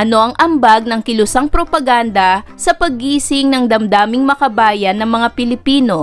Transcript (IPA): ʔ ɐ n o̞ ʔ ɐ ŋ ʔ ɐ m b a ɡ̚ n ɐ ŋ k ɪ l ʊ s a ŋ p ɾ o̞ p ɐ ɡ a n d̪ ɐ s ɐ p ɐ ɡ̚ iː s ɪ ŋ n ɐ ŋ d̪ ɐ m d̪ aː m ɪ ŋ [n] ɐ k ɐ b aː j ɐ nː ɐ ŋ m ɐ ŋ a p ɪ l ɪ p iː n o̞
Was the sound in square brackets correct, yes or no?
no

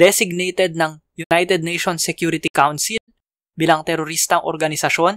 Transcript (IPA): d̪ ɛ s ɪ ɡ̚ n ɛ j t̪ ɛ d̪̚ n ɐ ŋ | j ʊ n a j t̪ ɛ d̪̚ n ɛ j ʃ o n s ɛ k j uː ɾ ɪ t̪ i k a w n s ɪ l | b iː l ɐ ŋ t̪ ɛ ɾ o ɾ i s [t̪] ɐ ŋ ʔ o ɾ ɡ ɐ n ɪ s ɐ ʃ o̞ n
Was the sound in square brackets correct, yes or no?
yes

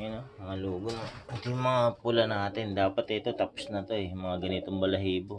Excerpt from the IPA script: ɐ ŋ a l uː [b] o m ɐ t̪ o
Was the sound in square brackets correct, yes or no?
no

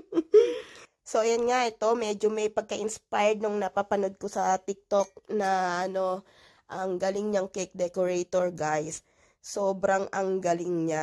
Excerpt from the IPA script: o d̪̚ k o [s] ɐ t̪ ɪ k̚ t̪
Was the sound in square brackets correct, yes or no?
yes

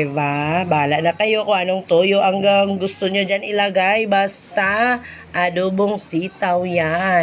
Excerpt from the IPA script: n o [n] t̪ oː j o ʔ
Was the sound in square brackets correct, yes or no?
no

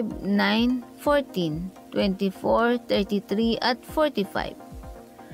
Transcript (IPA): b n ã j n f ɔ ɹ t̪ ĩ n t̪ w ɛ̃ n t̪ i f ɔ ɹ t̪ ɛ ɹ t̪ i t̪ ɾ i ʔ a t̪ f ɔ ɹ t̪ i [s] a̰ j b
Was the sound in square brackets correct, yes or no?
no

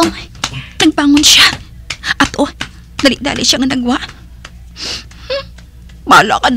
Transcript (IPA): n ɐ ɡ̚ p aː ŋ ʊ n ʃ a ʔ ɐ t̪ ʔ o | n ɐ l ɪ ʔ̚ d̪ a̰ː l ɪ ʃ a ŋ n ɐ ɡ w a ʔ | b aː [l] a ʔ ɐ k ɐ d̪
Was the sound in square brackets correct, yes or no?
yes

